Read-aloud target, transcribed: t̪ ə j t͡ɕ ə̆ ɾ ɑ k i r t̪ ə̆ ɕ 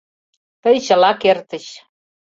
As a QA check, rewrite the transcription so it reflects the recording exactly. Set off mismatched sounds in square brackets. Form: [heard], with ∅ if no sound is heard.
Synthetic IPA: t̪ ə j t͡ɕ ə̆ [l] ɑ k [e] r t̪ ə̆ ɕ